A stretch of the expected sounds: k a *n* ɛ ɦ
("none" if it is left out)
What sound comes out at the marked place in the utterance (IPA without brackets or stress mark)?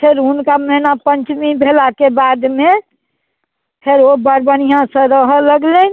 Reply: m